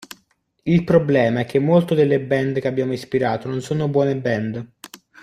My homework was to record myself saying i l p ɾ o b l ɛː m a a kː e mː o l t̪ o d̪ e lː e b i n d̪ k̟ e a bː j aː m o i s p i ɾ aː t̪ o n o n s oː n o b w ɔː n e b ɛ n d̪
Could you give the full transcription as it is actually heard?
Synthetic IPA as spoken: i l p ɾ o b l ɛː m a ɛ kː e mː o l t̪ o d̪ e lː e b ɛ n d̪ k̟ e a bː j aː m o i s p i ɾ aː t̪ o n o n s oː n o b w ɔː n e b ɛ n d̪